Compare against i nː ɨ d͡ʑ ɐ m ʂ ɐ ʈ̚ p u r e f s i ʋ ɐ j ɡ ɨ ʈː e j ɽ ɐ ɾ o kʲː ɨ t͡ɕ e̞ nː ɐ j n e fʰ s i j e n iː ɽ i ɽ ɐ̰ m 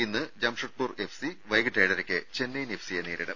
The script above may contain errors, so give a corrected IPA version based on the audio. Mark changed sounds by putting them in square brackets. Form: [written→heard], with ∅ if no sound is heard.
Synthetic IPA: i nː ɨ d͡ʑ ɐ m ʂ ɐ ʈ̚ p u r e f s i ʋ ɐ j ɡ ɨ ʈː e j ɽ ɐ ɾ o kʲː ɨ t͡ɕ e̞ nː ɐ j n e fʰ s i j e n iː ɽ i ɽ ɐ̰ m